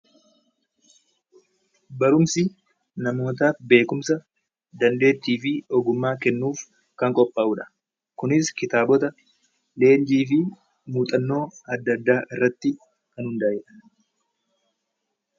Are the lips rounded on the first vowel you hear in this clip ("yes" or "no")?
no